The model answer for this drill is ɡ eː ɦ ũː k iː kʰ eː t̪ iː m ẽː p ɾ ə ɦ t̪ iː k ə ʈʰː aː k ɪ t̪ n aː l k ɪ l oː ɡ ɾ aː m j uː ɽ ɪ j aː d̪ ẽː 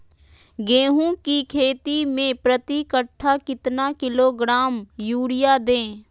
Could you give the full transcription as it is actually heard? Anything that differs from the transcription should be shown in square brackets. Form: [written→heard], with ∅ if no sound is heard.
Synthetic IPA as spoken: ɡ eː ɦ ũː k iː kʰ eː t̪ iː m ẽː p ɾ ə [ɦ→∅] t̪ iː k ə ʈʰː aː k ɪ t̪ n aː [l→∅] k ɪ l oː ɡ ɾ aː m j uː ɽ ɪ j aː d̪ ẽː